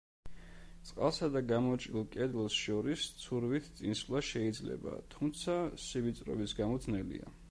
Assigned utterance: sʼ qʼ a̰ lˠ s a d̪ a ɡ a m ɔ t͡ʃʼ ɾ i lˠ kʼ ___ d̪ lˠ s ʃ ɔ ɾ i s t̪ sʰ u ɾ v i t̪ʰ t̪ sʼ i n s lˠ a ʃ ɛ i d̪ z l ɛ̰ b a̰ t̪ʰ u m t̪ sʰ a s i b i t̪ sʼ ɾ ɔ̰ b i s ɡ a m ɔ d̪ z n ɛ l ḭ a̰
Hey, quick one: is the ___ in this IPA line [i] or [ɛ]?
ɛ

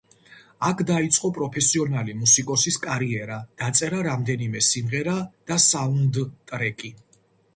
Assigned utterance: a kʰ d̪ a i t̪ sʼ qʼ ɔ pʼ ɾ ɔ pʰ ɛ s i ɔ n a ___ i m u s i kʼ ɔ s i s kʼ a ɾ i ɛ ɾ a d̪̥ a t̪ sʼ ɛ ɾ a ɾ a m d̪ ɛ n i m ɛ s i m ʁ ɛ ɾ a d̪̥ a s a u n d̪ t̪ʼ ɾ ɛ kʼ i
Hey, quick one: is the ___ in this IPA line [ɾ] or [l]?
l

